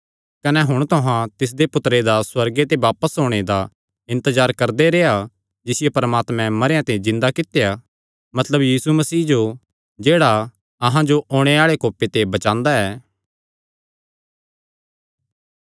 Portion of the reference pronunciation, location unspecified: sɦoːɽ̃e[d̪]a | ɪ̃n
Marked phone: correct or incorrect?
correct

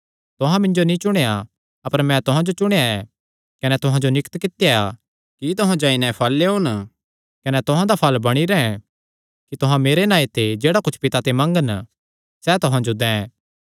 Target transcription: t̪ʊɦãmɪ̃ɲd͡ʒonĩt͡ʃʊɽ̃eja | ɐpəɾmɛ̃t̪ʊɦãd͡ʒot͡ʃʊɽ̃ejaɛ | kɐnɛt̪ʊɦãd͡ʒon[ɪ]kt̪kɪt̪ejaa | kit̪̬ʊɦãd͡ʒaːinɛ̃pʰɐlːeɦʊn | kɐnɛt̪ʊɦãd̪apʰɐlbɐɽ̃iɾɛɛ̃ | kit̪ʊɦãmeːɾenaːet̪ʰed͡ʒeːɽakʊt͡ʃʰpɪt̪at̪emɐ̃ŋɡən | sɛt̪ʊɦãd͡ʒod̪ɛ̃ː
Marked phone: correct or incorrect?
correct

